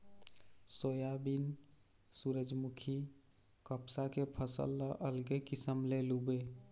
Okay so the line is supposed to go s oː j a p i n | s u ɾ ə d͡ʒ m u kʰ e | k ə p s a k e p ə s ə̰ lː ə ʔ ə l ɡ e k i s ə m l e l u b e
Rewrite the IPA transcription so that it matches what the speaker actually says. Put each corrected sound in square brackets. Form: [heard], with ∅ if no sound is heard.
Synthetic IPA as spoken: s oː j a [b] i n | s u ɾ ə d͡ʒ m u kʰ [i] | k ə p s a k e [pʰ] ə s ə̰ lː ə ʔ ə l ɡ e k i s ə m l e l u b e